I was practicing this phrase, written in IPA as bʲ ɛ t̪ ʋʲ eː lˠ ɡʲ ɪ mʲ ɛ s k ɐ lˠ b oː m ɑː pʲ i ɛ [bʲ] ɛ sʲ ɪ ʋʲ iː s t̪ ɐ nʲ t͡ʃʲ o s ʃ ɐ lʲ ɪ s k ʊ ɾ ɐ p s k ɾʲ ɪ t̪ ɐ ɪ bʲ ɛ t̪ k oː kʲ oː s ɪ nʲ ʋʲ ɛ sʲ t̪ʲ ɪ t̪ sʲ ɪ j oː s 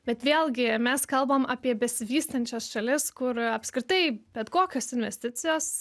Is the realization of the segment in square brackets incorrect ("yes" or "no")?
no